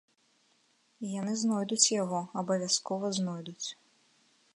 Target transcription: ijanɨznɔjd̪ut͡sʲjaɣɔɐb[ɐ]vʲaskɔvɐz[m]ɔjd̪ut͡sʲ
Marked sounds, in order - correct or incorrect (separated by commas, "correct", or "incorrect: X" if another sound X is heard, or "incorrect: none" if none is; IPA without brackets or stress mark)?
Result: correct, incorrect: n